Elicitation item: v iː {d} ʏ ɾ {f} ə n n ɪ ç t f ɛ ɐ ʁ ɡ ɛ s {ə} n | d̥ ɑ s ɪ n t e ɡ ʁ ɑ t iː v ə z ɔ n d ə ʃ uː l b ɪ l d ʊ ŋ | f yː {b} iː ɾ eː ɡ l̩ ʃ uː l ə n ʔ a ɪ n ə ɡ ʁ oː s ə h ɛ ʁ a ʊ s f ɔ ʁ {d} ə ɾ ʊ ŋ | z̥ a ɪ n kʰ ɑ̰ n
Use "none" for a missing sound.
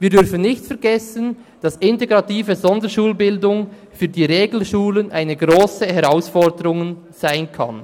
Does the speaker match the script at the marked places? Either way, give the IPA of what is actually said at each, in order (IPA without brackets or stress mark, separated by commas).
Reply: d, f, ə, d, d